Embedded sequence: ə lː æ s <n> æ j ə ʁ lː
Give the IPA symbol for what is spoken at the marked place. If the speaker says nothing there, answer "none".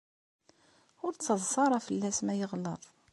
m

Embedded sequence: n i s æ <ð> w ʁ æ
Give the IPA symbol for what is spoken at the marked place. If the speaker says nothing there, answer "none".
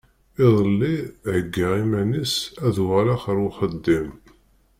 ð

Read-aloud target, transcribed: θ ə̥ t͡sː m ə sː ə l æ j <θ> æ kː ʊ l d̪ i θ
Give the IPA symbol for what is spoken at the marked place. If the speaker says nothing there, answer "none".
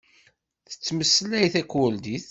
θ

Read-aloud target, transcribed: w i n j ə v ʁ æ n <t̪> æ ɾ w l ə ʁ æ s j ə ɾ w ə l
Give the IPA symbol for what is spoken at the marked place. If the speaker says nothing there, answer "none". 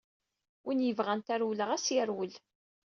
t̪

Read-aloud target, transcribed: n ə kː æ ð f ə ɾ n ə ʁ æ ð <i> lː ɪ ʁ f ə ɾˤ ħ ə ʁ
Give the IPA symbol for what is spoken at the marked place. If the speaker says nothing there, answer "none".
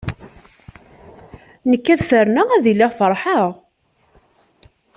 i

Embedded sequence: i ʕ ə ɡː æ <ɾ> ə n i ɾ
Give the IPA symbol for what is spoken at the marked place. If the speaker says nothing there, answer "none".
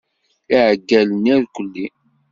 l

